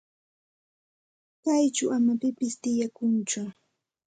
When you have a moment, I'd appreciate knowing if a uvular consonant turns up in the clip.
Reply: no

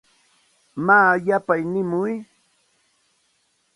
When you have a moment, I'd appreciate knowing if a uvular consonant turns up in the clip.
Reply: no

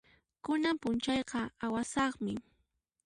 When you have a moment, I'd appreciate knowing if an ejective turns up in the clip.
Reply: no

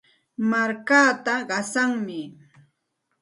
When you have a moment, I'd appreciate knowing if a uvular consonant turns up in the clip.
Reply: yes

